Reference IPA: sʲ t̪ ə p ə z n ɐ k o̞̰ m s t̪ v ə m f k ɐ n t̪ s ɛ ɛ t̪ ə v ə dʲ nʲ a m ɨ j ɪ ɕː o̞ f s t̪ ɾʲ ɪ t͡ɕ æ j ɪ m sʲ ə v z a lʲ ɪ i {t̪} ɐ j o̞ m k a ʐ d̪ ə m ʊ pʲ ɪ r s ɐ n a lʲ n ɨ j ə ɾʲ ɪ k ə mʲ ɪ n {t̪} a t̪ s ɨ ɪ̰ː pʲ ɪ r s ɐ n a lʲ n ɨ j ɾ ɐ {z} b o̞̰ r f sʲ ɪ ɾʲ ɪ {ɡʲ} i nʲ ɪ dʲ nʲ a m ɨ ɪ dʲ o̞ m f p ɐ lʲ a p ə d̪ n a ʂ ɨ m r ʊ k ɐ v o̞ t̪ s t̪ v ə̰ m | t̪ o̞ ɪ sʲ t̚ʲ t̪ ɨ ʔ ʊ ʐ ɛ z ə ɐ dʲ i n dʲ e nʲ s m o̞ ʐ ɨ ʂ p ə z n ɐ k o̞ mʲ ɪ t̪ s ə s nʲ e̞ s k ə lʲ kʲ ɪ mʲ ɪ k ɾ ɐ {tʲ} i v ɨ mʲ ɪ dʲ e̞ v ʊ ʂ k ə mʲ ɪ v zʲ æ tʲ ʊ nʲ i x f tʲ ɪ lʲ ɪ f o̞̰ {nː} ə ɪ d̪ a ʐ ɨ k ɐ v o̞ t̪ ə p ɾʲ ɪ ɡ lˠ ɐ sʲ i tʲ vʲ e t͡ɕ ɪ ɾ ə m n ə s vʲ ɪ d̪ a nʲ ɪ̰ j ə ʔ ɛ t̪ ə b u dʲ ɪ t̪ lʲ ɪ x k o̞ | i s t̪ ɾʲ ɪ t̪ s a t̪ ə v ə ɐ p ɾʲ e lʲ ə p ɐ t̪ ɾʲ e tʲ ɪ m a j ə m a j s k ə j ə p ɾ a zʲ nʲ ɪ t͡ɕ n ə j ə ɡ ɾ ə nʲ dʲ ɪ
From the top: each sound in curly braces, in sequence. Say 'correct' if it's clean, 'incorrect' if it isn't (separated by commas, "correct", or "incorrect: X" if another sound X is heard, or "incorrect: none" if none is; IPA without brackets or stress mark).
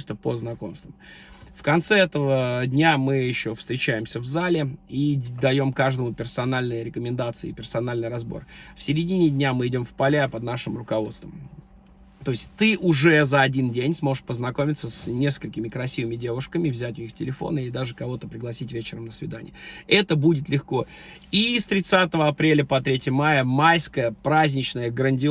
incorrect: d̪, incorrect: d̪, correct, incorrect: dʲ, incorrect: sʲ, incorrect: n